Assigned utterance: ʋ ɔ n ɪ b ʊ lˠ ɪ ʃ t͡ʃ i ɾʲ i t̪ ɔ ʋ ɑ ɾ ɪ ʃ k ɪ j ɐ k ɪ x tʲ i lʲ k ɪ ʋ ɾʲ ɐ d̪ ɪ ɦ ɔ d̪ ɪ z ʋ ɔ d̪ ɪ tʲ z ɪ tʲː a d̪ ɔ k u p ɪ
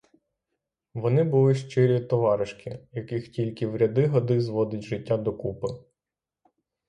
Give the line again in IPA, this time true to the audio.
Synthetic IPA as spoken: ʋ ɔ n ɪ b ʊ lˠ ɪ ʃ t͡ʃ ɪ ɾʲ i t̪ ɔ ʋ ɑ ɾ ɪ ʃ k ɪ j ɐ k ɪ x tʲ i lʲ k ɪ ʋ ɾʲ ɐ d̪ ɪ ɦ ɔ d̪ ɪ z ʋ ɔ d̪ ɪ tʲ ʒ ɪ tʲː a d̪ ɔ k u p ɪ